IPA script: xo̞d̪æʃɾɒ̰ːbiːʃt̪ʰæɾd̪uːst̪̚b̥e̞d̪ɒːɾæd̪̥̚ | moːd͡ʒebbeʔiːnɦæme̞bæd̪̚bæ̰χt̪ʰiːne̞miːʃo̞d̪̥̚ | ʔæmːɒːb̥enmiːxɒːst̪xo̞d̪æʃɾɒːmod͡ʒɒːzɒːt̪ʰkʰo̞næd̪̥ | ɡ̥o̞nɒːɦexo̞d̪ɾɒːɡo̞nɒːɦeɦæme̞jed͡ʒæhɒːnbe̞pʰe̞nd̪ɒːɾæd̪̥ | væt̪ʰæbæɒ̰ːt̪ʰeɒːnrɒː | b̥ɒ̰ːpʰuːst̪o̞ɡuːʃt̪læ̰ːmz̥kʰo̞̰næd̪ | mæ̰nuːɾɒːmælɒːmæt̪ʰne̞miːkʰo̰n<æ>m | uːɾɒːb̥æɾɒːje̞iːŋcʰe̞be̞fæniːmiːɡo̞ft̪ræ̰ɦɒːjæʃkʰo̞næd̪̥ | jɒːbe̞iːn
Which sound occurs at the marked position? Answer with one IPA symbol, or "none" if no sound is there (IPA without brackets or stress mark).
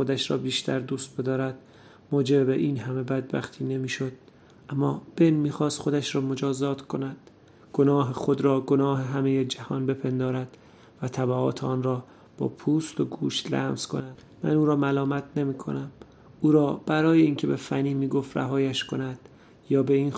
æ